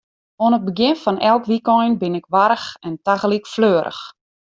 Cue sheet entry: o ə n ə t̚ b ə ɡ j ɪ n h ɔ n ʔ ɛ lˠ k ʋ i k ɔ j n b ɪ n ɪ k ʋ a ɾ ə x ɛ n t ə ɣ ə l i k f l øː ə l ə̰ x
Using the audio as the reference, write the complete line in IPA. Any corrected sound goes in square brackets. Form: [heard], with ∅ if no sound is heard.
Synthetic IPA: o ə n ə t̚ b ə ɡ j ɪ n [f] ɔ n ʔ ɛ lˠ k ʋ i k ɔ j n b ɪ n ɪ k ʋ a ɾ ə x ɛ n t [a] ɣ ə l i k f l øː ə [ɾ] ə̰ x